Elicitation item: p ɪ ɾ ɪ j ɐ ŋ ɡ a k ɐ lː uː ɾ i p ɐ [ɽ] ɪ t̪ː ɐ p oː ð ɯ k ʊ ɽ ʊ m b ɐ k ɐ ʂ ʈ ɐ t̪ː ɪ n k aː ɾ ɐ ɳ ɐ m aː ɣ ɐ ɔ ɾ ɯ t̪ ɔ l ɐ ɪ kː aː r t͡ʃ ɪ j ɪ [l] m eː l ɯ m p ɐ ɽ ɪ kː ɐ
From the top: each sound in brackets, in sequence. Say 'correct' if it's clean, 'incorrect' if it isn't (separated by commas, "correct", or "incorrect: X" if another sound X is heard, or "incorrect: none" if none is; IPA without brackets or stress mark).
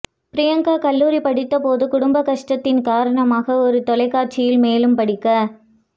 correct, correct